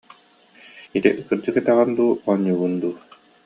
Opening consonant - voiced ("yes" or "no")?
no